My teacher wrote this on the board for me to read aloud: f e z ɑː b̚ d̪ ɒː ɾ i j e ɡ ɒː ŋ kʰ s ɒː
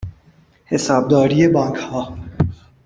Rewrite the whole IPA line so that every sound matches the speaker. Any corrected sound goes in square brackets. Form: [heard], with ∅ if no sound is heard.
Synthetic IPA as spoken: [h] e [s] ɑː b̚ d̪ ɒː ɾ i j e [b] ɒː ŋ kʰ [h] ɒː